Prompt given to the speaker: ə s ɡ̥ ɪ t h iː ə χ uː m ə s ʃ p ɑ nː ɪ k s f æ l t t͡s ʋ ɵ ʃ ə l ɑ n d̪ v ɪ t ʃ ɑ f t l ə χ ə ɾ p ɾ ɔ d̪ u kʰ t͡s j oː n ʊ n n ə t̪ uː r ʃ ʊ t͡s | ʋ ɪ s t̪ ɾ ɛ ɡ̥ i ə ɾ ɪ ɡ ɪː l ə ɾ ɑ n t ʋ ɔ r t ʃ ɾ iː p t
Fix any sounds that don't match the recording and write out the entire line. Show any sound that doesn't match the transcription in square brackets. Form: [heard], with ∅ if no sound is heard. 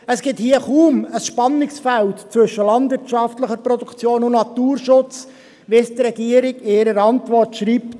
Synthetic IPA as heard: ə s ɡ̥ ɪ t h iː ə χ uː m ə s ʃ p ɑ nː ɪ k s f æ l t t͡s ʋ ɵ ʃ ə l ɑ n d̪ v ɪ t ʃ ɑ f t l ə χ ə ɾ p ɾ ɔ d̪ u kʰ t͡s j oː n ʊ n n [ɑ] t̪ uː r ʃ ʊ t͡s | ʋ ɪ s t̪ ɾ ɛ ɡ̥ i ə ɾ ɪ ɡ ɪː [ɾ] ə ɾ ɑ n t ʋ ɔ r t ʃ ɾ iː p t